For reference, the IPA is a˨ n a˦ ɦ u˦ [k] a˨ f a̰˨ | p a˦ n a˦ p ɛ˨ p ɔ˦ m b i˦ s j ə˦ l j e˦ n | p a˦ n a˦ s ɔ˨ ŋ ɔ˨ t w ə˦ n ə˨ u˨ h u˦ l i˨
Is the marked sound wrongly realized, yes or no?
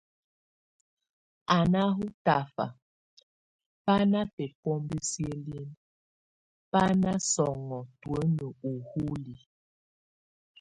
yes